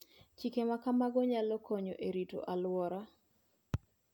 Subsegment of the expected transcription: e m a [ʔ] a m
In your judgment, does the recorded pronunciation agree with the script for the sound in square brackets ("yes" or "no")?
no